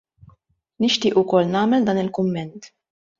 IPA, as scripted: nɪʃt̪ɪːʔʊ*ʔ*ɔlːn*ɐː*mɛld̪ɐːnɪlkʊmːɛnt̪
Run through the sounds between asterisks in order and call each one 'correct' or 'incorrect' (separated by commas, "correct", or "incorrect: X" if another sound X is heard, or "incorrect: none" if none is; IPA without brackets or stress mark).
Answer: incorrect: k, correct